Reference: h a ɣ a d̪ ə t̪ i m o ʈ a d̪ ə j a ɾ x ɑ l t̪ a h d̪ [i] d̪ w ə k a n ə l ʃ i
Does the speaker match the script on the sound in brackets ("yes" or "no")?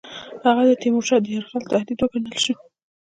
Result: yes